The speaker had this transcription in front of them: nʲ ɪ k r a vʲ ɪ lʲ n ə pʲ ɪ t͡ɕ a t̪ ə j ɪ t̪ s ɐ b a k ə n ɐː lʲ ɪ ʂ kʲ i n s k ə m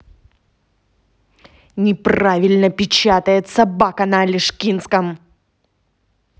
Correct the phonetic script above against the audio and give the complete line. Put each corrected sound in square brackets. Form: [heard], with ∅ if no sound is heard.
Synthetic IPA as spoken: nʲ ɪ [p] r a vʲ ɪ lʲ n ə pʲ ɪ t͡ɕ a t̪ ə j ɪ t̪ s ɐ b a k ə n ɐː lʲ ɪ ʂ kʲ i n s k ə m